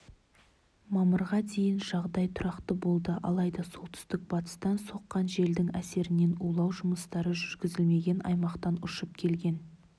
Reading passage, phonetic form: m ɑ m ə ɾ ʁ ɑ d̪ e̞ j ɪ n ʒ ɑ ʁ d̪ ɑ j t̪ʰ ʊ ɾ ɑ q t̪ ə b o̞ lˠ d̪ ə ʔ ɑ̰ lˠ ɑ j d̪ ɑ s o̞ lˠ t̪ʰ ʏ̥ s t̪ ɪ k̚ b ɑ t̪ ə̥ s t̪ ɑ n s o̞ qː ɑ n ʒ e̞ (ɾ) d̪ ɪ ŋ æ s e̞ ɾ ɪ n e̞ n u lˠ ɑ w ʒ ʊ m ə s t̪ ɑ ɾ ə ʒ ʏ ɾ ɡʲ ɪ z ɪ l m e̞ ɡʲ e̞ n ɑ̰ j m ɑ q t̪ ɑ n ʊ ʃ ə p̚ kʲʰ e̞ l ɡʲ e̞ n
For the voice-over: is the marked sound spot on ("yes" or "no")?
no